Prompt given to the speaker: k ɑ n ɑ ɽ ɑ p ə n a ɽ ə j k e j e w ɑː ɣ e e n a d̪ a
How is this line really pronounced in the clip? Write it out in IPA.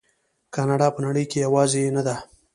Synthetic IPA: k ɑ n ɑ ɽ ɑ p ə n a ɽ ə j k e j a w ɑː z e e n a d̪ a